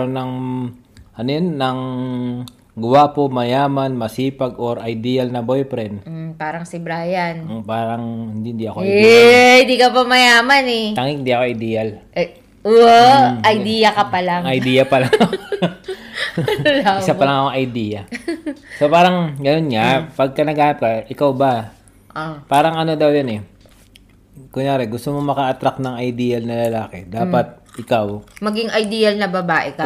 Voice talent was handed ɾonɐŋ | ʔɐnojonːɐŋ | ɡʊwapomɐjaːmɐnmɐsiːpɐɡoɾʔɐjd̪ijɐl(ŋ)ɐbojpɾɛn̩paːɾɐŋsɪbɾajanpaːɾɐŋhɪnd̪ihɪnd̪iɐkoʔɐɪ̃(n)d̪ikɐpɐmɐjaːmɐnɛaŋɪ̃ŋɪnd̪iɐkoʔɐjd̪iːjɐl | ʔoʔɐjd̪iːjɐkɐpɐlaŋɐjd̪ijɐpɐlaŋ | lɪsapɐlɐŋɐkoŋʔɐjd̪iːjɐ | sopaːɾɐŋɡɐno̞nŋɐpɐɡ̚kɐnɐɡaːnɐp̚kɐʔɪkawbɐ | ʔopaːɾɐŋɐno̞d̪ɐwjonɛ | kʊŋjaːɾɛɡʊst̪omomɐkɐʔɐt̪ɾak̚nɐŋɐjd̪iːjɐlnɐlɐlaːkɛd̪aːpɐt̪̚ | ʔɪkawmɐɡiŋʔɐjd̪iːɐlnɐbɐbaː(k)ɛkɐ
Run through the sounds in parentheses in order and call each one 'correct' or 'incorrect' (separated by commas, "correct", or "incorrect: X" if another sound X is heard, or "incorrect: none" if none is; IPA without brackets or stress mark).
incorrect: n, correct, incorrect: ʔ